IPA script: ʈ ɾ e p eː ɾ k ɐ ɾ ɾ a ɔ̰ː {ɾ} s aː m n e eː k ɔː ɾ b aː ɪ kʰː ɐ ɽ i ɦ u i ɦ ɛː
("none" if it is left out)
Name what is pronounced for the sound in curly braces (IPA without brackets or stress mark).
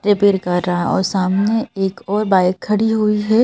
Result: ɾ